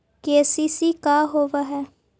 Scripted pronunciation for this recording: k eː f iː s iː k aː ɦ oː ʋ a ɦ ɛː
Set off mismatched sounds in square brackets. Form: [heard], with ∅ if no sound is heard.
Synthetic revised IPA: k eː [s] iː s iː k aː ɦ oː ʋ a ɦ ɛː